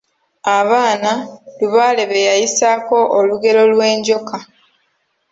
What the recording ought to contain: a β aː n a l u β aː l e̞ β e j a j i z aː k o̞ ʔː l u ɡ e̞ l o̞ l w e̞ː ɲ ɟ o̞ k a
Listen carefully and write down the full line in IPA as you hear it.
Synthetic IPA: a β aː n a l u β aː l e̞ β e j a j i s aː k o̞ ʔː l u ɡ e̞ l o̞ l w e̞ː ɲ ɟ o̞ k a